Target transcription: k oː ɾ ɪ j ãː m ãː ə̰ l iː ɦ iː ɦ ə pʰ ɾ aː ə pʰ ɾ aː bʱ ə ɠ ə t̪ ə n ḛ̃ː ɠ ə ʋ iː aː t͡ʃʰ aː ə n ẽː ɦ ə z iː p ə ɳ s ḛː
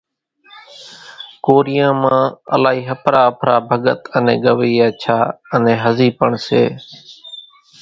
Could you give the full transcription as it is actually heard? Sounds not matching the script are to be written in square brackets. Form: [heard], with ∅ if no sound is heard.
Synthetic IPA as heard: k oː ɾ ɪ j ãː m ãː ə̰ l [aː] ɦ iː ɦ ə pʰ ɾ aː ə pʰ ɾ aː bʱ ə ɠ ə t̪ ə n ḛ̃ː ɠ ə ʋ iː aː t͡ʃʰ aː ə n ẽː ɦ ə z iː p ə ɳ s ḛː